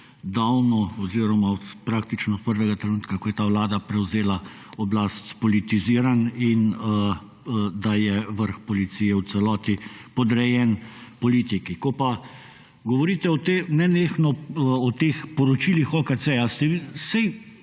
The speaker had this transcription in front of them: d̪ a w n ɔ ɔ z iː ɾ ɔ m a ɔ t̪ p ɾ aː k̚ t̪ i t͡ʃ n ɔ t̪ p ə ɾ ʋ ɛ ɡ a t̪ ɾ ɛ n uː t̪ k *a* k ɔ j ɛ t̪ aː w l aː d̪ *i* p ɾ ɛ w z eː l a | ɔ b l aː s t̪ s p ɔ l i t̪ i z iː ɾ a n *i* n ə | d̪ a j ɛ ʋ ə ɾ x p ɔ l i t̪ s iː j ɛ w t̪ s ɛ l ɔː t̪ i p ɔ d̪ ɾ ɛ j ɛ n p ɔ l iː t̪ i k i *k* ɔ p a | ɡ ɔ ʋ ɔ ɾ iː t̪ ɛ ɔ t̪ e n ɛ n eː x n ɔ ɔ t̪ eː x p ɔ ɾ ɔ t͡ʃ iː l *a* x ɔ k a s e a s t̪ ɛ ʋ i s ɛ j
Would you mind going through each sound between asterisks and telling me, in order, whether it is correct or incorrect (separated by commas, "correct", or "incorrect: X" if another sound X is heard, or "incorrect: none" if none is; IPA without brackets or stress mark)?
correct, incorrect: a, correct, correct, incorrect: i